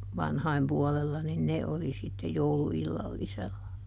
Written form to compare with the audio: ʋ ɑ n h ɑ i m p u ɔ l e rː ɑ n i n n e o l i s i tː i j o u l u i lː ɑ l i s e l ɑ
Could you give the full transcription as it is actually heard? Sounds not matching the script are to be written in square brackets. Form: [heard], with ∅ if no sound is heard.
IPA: ʋ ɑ n h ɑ i m p u ɔ l e [lː] ɑ n i n n e o l i s i tː [e] j o u l u i lː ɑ [lː] i s e [lː] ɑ